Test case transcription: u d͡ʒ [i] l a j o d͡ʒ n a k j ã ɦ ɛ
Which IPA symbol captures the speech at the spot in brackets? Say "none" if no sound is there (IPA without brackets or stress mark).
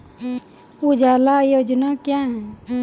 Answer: a